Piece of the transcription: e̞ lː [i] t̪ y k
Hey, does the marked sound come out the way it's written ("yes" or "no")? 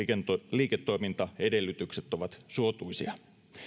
no